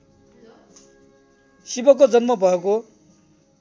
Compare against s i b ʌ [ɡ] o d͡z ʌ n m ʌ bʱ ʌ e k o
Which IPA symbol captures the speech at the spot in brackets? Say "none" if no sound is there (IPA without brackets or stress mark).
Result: k